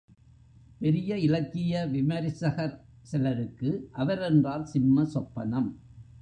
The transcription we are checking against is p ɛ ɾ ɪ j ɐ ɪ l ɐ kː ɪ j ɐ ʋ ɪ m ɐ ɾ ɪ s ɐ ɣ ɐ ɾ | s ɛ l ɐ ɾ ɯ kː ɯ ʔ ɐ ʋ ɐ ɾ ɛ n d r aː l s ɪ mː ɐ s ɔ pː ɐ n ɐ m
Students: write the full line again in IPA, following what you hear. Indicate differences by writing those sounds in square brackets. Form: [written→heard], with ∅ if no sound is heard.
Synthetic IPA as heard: p ɛ ɾ ɪ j ɐ ɪ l ɐ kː ɪ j ɐ ʋ ɪ m ɐ ɾ ɪ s ɐ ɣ ɐ ɾ | s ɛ l ɐ ɾ ɯ kː ɯ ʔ ɐ ʋ ɐ ɾ ɛ n d r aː l s ɪ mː ɐ s ɔ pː ɐ n ɐ m